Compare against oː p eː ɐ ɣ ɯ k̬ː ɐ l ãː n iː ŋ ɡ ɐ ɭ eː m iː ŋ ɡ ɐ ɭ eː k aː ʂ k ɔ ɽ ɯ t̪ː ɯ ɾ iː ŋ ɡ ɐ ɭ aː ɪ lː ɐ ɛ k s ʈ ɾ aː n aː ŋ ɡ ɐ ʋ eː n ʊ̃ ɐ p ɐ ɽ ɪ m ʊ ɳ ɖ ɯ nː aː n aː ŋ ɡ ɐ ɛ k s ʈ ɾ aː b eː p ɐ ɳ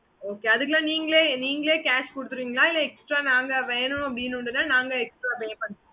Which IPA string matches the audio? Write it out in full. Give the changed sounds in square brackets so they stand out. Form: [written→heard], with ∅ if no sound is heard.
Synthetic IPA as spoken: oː [p→k] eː ɐ [ɣ→ð] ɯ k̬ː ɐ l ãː n iː ŋ ɡ ɐ ɭ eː [m→n] iː ŋ ɡ ɐ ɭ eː k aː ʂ k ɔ ɽ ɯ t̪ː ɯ ɾ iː ŋ ɡ ɐ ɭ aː ɪ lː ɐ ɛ k s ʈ ɾ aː n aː ŋ ɡ ɐ ʋ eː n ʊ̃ ɐ p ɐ ɽ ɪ [m→n] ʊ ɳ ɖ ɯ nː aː n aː ŋ ɡ ɐ ɛ k s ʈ ɾ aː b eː p ɐ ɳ